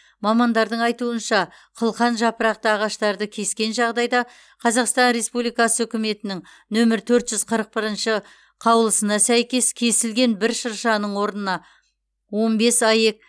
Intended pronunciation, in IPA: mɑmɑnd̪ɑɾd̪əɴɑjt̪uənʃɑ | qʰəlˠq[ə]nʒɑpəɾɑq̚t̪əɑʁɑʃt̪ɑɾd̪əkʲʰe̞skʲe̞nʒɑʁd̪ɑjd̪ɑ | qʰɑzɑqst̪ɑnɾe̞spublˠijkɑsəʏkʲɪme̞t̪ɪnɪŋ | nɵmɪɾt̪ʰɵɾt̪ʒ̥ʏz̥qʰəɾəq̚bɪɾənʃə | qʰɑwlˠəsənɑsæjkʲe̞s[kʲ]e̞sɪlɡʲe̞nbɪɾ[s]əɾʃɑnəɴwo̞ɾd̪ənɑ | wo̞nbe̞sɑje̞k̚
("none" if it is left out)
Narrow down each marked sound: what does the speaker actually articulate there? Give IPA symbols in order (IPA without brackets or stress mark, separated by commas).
ɑ, kʲʰ, ʃ